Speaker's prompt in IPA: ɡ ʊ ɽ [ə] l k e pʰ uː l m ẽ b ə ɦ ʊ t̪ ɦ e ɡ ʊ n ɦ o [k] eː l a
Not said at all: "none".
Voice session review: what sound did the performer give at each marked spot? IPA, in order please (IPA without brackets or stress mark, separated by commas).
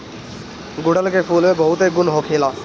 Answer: ə, kʰ